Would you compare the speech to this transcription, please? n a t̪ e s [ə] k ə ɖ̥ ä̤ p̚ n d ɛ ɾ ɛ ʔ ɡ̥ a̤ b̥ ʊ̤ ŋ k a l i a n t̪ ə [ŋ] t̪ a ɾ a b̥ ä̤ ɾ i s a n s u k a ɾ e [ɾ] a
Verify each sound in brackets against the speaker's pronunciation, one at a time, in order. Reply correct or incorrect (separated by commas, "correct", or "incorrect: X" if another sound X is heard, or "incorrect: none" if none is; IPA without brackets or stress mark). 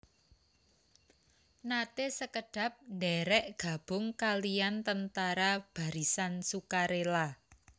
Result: correct, incorrect: n, incorrect: l